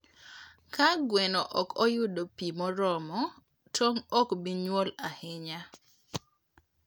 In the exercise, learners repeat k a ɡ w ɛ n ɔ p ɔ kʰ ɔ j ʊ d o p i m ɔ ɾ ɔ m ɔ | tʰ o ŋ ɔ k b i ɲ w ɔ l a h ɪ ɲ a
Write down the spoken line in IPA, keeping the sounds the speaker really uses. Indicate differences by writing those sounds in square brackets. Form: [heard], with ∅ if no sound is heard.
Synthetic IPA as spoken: k a ɡ w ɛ n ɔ [ʔ] ɔ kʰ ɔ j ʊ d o p i m ɔ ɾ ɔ m ɔ | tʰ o ŋ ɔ k b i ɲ w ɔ l a h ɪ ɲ a